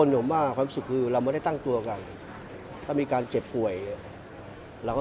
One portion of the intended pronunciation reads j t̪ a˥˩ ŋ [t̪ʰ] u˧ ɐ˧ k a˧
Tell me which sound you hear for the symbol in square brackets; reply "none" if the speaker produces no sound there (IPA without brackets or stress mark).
t̪